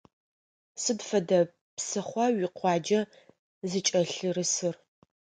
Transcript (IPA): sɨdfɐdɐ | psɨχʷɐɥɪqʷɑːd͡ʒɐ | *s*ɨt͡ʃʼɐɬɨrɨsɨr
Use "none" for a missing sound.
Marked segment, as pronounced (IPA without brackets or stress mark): z